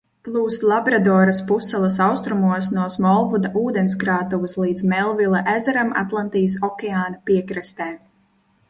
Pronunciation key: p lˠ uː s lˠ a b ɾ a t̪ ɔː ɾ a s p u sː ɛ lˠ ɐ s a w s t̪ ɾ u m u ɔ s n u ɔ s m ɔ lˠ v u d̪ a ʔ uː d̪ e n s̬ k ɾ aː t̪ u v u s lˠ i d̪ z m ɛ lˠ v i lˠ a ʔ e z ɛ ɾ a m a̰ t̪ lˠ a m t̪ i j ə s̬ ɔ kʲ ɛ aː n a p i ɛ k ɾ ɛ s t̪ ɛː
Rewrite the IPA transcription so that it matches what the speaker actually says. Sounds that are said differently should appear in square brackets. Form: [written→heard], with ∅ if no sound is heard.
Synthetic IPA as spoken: p lˠ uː s lˠ a b ɾ a [t̪→d̪] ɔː ɾ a s p u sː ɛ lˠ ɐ s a w s t̪ ɾ u m u ɔ s n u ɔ s m ɔ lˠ v u d̪ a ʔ uː d̪ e n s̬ k ɾ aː t̪ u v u s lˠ [i→iː] d̪ z m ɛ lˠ v i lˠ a ʔ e z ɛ ɾ a m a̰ t̪ lˠ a [m→n] t̪ i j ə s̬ ɔ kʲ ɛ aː n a p i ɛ k ɾ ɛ s t̪ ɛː